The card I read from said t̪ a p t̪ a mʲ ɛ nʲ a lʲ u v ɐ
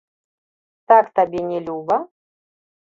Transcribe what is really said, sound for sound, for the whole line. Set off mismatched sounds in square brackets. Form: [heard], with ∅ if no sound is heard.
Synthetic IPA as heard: t̪ a [k] t̪ a [bʲ] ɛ nʲ [ɛ] lʲ u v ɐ